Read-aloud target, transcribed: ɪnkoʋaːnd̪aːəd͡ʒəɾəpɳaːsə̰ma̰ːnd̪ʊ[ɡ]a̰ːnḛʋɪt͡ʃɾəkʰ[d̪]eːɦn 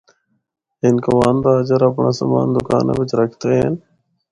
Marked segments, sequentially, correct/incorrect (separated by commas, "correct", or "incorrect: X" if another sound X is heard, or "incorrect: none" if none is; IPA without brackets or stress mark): incorrect: k, incorrect: t̪